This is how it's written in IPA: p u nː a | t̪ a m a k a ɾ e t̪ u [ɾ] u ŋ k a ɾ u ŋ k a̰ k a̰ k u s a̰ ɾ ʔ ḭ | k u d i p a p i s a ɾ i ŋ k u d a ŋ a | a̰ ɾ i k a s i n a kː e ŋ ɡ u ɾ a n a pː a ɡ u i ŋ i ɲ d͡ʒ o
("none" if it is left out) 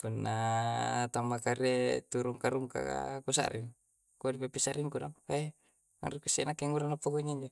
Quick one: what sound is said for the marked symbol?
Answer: ɾ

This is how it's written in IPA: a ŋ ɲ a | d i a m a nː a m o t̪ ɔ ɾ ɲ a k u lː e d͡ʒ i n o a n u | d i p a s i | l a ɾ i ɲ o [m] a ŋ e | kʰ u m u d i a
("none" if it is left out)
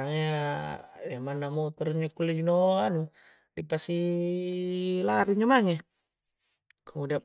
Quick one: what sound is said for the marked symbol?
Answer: m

